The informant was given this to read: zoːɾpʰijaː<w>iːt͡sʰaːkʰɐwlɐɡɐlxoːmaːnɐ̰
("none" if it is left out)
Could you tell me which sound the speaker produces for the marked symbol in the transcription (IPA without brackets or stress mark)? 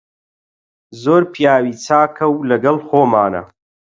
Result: w